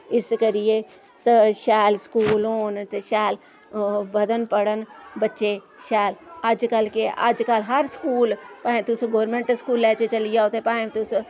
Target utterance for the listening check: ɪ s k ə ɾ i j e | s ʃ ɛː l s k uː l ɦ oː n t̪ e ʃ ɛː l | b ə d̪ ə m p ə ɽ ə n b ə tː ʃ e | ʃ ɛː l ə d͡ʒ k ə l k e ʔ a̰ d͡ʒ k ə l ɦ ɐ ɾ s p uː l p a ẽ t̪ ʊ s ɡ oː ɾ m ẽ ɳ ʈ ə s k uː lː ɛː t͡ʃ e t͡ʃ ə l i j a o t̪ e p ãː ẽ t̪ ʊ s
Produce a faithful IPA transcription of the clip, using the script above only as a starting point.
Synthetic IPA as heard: ɪ s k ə ɾ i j e | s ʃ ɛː l s k uː l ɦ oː n t̪ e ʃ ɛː l | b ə d̪ ə n p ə ɽ ə n b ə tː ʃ e | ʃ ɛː l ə d͡ʒ k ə l k e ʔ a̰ d͡ʒ k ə l ɦ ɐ ɾ s k uː l p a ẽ t̪ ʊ s ɡ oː ɾ m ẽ ɳ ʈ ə s k uː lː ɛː t͡ʃ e t͡ʃ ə l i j a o t̪ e p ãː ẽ t̪ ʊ s